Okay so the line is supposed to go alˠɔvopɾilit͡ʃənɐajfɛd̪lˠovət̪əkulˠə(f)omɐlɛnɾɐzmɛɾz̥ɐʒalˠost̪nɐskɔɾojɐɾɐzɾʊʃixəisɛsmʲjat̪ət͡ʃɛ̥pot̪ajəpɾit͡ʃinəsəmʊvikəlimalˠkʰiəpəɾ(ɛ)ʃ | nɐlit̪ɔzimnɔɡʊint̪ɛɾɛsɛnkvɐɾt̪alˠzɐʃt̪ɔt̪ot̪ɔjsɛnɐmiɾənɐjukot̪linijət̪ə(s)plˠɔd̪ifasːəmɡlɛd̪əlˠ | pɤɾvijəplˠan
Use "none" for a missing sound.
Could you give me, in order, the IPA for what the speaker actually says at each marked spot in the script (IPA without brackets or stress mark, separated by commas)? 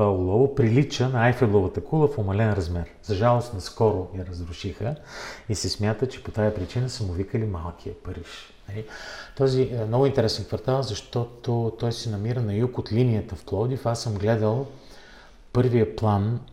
f, i, f